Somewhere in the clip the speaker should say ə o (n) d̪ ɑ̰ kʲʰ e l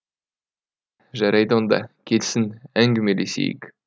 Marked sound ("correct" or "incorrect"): correct